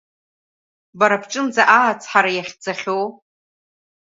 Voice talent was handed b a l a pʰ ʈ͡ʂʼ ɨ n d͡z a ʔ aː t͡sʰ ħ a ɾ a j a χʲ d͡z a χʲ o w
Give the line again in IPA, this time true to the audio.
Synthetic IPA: b a ɾ a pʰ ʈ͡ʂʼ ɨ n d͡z a ʔ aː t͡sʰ ħ a ɾ a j a χʲ d͡z a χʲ o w

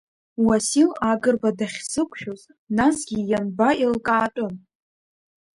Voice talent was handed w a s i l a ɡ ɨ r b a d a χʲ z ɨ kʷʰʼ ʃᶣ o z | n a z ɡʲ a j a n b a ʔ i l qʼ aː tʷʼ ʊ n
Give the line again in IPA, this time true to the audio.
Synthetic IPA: w a s i l a ɡ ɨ r b a d a χʲ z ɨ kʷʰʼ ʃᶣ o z | n a s ɡʲ i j a n b a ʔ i l kʼ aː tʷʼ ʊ n

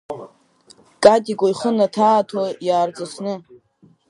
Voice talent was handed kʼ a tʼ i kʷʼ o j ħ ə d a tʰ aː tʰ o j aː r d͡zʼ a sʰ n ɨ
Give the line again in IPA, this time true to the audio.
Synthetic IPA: kʼ a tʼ i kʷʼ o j χ ə n a tʰ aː tʰ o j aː r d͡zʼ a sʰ n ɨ

